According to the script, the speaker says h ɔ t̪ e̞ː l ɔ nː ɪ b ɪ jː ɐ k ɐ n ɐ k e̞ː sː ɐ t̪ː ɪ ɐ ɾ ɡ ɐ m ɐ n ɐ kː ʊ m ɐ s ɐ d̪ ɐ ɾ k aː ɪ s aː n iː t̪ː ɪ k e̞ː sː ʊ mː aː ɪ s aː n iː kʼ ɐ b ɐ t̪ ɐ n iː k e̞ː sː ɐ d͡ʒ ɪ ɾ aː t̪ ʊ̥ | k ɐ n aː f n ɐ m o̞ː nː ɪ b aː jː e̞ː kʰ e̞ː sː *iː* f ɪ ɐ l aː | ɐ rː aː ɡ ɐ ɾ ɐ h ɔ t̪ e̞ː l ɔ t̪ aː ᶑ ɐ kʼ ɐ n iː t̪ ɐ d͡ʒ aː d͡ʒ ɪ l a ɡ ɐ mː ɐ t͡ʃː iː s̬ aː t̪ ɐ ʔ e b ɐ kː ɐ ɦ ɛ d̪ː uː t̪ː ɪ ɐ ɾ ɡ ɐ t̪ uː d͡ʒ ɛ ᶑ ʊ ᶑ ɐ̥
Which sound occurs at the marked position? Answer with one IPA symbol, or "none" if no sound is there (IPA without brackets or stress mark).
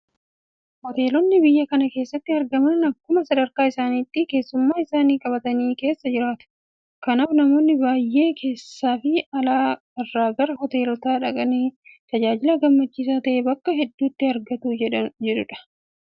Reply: aː